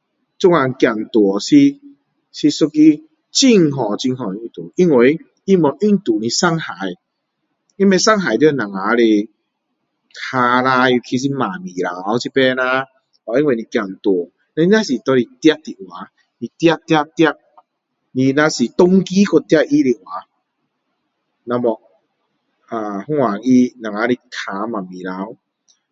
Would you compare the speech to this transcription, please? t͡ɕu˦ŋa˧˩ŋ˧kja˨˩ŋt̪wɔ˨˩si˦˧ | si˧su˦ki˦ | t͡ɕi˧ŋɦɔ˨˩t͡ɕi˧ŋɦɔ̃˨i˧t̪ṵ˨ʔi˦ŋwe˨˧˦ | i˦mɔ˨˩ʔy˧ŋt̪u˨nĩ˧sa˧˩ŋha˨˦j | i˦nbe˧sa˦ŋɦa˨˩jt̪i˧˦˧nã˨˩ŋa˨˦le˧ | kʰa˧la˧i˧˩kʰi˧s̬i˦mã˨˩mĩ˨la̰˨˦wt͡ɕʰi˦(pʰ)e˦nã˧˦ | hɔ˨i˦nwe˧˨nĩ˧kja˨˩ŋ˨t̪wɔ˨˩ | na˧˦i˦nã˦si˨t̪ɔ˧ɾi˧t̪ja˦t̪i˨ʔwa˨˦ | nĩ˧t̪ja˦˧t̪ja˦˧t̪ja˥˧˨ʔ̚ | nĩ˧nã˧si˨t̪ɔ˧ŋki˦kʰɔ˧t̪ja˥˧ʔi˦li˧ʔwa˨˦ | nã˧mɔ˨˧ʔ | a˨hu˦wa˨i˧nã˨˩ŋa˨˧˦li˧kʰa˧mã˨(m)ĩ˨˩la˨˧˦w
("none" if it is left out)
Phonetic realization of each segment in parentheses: p, m

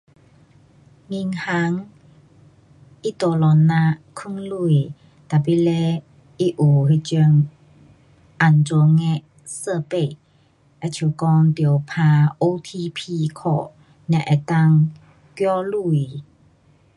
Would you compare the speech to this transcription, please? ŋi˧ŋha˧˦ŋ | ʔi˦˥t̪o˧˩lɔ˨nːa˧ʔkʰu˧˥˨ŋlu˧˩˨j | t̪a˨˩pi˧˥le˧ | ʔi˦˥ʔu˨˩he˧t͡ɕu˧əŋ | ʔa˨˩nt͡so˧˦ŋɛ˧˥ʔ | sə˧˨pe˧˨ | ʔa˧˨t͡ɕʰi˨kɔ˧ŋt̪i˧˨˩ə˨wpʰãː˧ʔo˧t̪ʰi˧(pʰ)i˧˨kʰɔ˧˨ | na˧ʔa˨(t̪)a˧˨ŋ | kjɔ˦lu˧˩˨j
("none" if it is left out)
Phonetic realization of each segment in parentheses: pʰ, t̪

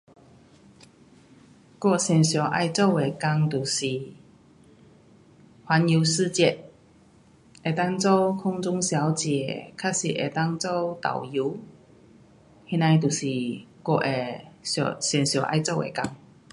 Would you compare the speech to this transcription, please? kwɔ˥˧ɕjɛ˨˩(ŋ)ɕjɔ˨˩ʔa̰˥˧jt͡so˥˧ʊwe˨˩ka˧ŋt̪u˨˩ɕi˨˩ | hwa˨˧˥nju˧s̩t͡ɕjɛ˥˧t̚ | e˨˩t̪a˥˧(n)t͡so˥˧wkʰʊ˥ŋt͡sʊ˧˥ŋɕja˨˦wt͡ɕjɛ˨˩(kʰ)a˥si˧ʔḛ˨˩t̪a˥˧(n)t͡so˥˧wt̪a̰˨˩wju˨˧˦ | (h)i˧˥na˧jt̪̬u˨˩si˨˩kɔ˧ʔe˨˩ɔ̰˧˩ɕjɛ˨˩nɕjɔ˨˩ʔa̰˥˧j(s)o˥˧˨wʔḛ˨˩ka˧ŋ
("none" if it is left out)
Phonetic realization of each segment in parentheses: n, ŋ, kʰ, ŋ, h, t͡s

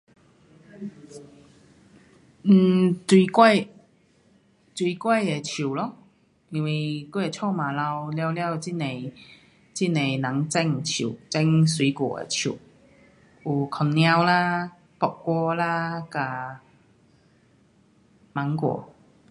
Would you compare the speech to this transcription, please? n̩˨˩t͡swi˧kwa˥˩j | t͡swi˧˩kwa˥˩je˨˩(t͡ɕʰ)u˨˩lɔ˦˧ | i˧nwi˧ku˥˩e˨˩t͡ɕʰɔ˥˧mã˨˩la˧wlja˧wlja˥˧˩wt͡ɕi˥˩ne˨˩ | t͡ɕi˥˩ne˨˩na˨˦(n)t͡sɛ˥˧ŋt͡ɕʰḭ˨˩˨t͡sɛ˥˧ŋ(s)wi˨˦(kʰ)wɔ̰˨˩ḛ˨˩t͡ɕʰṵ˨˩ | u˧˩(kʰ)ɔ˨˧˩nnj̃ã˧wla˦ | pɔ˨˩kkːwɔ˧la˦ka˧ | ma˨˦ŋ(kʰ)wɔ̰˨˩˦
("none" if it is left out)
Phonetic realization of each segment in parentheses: t͡ɕʰ, ŋ, s, k, kʰ, k

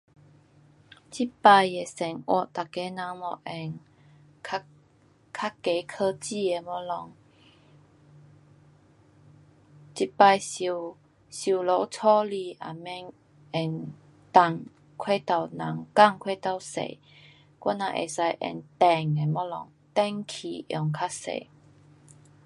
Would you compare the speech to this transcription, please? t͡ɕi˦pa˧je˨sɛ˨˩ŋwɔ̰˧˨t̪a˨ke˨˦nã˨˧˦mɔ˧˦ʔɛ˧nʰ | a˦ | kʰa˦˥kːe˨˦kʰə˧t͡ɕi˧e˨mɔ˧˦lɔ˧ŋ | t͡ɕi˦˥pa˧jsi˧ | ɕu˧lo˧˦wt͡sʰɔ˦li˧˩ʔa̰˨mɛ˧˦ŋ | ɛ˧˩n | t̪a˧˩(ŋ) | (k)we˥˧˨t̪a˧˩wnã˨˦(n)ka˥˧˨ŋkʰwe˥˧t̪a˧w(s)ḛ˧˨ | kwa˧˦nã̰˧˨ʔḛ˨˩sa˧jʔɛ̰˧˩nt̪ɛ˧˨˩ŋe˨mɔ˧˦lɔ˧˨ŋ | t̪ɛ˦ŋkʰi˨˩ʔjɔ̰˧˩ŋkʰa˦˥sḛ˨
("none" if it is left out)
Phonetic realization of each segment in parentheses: ŋ, kʰ, ŋ, s

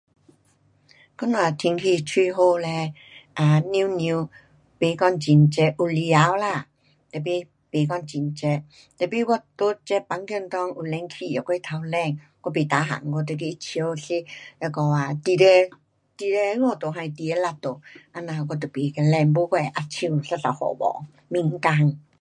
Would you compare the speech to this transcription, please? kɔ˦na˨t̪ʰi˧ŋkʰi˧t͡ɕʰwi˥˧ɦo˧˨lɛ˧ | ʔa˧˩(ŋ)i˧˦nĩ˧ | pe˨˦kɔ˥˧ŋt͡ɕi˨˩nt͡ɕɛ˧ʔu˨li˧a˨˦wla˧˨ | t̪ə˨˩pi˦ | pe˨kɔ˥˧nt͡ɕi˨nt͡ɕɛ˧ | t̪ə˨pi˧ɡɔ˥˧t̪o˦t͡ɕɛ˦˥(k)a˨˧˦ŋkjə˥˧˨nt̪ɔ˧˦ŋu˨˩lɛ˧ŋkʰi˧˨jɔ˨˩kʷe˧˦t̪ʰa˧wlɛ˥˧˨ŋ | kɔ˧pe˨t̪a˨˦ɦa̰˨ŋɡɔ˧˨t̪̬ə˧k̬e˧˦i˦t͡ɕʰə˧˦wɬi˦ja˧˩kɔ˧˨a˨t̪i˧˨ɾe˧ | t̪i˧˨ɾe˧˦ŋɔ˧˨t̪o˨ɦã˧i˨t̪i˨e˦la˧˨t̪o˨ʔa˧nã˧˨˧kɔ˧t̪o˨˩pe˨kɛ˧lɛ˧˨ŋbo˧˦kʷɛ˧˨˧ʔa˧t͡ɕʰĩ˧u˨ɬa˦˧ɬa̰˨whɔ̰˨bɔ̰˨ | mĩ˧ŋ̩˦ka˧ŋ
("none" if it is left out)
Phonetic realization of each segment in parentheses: n, p

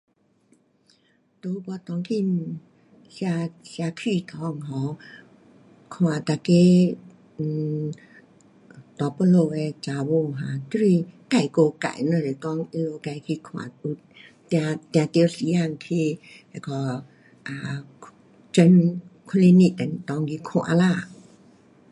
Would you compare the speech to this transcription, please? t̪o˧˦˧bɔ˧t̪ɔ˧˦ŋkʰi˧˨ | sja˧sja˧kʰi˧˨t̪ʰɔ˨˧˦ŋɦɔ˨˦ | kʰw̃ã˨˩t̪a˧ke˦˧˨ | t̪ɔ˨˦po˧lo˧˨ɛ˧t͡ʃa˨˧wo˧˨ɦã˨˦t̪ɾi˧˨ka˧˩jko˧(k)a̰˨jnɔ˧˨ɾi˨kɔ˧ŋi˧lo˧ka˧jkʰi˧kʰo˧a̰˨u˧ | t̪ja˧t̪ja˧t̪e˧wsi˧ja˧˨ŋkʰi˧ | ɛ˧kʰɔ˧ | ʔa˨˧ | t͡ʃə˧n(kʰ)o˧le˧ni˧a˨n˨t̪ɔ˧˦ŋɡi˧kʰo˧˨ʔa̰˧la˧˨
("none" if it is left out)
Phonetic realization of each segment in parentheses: k, kʰ

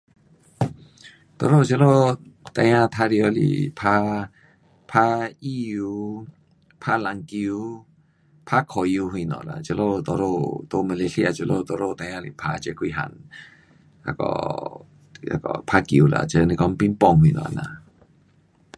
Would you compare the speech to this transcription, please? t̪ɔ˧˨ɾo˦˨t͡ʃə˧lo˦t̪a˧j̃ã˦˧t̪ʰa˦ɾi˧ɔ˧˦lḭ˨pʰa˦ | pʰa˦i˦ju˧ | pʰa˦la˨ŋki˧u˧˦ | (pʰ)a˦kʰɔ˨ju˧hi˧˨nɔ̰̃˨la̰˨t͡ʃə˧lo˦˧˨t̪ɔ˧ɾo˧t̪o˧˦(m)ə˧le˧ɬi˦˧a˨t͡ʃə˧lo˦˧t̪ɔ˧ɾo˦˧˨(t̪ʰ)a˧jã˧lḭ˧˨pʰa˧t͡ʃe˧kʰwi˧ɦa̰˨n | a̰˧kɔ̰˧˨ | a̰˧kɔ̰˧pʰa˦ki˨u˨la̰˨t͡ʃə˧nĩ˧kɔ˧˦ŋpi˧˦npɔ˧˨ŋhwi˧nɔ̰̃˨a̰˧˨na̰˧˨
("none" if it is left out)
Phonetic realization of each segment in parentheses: pʰ, m, t̪

